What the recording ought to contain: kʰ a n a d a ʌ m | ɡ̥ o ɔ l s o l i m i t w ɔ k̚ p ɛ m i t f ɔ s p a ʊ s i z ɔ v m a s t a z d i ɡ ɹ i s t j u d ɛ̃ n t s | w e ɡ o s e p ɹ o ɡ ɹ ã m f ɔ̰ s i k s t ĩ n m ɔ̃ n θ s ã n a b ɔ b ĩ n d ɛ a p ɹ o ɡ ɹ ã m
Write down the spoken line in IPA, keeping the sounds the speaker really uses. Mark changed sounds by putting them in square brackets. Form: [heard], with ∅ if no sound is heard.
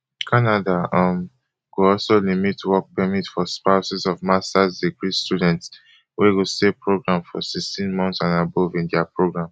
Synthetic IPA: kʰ a n a d a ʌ m | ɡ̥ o ɔ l s o l i m i t w ɔ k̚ p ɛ m i t f ɔ s p a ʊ s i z ɔ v m a s t a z d i ɡ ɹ i s t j u d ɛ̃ n t s | w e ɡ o s e p ɹ o ɡ ɹ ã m f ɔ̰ s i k s t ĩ n m ɔ̃ n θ s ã n a b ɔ [v] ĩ n d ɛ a p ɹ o ɡ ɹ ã m